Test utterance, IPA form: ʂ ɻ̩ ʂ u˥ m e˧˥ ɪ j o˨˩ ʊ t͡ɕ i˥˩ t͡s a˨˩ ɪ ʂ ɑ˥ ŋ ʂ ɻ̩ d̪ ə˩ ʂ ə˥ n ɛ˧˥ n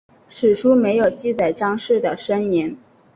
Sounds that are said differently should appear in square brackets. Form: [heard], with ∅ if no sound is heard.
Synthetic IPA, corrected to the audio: ʂ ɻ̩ ʂ u˥ m e˧˥ ɪ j o˨˩ ʊ t͡ɕ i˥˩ t͡s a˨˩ ɪ [ʈ͡ʂ] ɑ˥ ŋ ʂ ɻ̩ d̪ ə˩ ʂ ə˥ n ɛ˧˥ n